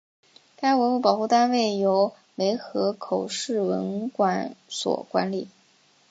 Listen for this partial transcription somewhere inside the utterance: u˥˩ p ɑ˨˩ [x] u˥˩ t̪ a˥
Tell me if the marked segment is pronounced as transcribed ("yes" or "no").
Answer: yes